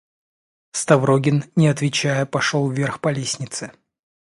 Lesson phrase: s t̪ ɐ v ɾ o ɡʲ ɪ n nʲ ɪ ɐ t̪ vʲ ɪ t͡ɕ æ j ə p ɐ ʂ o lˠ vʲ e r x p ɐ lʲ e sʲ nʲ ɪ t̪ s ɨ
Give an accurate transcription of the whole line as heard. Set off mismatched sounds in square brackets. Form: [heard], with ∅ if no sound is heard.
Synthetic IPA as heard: s t̪ ɐ v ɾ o ɡʲ ɪ n nʲ ɪ ɐ t̪ vʲ ɪ t͡ɕ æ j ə p ɐ ʂ o lˠ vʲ e r x p ɐ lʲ e sʲ nʲ ɪ t̪ s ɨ